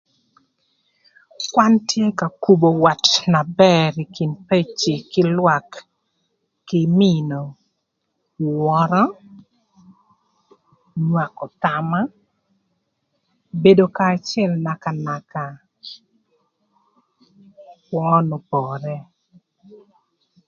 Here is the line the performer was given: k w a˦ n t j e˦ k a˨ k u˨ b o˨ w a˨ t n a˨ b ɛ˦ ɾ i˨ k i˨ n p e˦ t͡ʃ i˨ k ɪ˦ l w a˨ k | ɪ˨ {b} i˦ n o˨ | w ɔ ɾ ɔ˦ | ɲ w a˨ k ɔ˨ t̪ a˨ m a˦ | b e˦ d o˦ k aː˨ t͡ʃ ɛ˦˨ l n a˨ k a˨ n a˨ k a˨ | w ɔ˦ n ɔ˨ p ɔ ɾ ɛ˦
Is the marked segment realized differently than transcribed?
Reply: yes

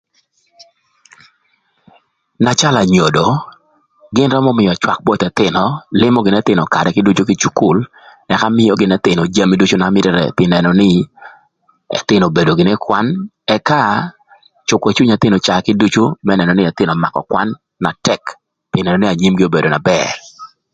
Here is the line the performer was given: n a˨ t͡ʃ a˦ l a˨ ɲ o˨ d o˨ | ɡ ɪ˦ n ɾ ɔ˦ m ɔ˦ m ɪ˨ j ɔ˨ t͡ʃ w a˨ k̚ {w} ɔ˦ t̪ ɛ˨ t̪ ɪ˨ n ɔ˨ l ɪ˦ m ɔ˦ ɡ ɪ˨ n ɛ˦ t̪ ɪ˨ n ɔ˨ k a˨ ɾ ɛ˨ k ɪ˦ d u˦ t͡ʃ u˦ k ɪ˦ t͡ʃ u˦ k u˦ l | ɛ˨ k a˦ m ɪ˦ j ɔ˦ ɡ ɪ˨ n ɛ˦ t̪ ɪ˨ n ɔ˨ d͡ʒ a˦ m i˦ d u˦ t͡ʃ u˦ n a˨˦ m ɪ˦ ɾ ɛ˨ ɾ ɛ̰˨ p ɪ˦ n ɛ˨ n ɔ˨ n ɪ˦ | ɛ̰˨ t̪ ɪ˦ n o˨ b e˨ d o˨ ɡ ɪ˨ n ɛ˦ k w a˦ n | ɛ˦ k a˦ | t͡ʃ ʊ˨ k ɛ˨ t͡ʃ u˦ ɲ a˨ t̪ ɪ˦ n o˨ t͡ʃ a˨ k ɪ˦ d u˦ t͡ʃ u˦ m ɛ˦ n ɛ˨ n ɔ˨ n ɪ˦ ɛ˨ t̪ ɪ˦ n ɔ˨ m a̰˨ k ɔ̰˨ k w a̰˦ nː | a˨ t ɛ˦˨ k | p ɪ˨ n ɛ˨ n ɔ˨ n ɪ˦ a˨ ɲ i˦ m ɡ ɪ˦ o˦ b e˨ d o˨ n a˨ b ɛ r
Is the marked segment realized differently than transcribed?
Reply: yes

